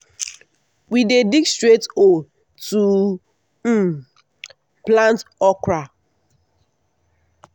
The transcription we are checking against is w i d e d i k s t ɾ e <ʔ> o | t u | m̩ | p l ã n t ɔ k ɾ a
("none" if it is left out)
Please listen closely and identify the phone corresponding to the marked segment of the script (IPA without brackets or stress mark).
t